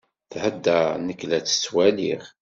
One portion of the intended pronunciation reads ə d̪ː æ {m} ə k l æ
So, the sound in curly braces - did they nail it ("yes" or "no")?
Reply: no